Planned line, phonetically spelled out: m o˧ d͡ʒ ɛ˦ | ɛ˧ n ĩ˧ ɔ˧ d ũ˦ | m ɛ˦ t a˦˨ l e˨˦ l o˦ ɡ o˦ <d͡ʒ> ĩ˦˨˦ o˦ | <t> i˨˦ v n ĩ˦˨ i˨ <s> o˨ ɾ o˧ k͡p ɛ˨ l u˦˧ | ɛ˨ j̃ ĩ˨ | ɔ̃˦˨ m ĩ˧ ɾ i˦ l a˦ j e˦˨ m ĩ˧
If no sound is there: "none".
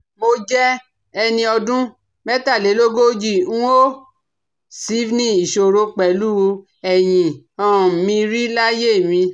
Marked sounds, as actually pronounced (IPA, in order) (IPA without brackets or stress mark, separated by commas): d͡ʒ, s, ʃ